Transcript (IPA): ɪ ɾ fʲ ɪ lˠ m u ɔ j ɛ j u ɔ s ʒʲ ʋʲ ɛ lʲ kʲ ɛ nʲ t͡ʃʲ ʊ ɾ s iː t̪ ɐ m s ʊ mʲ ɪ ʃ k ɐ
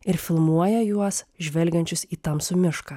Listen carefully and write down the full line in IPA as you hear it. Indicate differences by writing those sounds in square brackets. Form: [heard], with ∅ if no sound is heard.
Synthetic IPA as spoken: ɪ ɾ fʲ ɪ lˠ m u ɔ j ɛ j u ɔ s ʒʲ ʋʲ ɛ lʲ [ɡʲ] ɛ nʲ t͡ʃʲ ʊ [∅] s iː t̪ ɐ m s ʊ mʲ ɪ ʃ k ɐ